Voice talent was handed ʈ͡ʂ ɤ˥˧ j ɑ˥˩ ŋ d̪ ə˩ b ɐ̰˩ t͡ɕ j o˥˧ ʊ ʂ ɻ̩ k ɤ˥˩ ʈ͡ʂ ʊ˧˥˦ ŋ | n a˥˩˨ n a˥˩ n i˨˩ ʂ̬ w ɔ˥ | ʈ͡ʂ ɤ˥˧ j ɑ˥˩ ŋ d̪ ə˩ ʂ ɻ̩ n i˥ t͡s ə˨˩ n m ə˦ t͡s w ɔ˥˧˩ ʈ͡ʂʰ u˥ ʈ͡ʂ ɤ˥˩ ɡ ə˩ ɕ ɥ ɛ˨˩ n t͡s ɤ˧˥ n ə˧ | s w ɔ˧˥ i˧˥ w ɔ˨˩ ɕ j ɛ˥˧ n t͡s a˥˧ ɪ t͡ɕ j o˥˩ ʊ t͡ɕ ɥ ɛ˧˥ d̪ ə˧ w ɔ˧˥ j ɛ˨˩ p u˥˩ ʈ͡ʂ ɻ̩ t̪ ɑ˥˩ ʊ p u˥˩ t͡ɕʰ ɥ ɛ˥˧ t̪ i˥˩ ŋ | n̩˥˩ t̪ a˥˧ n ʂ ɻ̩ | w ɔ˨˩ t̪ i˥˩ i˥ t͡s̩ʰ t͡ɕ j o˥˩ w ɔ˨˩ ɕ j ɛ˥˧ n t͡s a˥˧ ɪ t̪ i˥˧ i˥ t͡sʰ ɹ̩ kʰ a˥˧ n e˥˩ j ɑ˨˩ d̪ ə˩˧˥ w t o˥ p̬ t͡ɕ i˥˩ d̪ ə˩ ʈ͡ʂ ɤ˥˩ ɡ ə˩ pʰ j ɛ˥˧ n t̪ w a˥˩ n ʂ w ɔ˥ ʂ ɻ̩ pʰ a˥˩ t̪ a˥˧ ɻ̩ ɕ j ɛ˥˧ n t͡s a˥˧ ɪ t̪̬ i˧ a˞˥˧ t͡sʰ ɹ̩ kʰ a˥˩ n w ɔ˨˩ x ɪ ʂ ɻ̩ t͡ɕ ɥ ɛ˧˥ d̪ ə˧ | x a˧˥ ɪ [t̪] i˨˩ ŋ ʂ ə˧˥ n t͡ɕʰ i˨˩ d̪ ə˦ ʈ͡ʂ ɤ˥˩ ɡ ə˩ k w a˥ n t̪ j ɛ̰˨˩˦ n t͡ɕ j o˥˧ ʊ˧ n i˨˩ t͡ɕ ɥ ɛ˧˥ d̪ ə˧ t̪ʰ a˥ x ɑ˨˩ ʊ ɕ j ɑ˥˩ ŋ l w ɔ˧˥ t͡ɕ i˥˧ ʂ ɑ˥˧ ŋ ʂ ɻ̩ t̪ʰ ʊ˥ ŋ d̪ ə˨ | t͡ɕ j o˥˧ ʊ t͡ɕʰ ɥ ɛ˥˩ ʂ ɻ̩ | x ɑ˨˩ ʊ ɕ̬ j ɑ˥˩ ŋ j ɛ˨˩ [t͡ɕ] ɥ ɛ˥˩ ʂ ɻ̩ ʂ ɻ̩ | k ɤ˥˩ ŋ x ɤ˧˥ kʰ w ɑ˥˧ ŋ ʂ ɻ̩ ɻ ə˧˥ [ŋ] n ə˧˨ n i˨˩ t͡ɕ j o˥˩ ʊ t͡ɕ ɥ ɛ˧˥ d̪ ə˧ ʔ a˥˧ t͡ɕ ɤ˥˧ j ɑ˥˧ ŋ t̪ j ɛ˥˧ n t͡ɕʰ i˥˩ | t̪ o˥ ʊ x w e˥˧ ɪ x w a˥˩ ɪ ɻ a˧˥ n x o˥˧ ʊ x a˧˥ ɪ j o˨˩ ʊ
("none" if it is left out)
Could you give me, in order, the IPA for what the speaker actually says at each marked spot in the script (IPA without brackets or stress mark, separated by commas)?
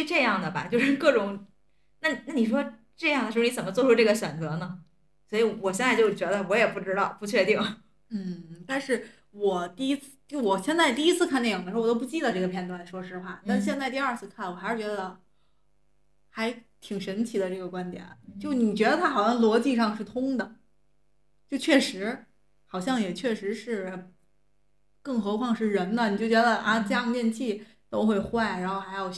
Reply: t̪ʰ, t͡ɕʰ, n